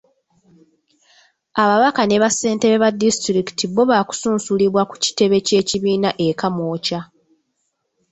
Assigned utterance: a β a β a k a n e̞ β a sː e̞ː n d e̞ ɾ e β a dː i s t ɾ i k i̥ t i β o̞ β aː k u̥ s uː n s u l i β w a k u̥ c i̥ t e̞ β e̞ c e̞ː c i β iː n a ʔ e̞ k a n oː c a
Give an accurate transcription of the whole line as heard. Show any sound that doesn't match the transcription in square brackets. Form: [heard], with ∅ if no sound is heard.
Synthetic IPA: a β a β a k a n e̞ β a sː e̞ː n [t] e̞ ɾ e β a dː i s t ɾ i k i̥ t i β o̞ β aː k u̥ s uː n s u l i β w a k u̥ c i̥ t e̞ β e̞ c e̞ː c i β iː n a ʔ e̞ k a [m] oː c a